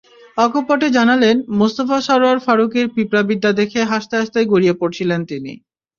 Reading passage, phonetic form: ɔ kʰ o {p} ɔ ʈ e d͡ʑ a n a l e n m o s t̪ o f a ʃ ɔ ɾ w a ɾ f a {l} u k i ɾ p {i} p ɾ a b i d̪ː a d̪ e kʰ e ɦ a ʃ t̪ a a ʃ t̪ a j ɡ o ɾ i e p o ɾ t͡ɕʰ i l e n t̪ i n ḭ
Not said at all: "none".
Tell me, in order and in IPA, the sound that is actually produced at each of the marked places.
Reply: p, ɾ, i

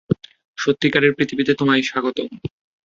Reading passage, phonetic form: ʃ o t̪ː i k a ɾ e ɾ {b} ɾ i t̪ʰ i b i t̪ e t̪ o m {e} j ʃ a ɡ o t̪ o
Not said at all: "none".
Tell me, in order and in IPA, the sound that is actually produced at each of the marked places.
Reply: p, a

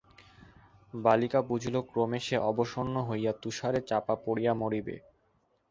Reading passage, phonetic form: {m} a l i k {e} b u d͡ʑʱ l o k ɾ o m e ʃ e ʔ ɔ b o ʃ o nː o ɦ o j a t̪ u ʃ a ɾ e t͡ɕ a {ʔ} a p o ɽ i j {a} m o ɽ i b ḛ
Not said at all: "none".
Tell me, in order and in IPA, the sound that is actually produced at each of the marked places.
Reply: b, a, p, a

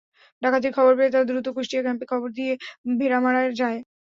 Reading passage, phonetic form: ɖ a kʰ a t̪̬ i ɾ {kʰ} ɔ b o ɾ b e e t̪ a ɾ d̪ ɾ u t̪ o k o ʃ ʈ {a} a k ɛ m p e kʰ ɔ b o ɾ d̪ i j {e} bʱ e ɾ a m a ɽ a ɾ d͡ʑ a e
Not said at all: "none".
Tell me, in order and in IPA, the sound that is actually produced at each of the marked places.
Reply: kʰ, i, e

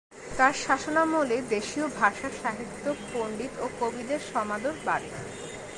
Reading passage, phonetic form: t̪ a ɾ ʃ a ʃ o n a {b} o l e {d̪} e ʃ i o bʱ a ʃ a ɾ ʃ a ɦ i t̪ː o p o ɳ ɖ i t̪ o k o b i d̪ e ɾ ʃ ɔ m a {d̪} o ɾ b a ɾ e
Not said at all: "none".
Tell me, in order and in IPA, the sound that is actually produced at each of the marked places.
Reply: m, d̪, d̪

